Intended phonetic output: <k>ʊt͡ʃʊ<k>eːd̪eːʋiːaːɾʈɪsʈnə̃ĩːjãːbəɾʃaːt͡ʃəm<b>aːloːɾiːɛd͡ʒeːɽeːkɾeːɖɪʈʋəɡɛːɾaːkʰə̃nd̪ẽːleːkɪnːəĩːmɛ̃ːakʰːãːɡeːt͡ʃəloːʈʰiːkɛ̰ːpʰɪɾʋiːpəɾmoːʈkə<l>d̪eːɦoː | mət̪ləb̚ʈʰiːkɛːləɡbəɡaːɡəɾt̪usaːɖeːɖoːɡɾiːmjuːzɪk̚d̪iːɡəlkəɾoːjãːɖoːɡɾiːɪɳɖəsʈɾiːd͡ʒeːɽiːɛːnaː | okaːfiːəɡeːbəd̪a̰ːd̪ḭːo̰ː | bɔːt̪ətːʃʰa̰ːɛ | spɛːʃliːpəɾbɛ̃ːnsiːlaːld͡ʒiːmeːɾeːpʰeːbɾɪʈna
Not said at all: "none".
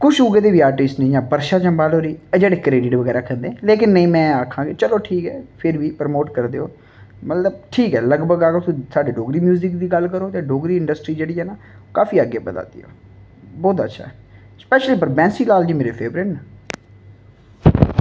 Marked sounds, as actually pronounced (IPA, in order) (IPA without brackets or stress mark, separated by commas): k, ɡ, b, ɾ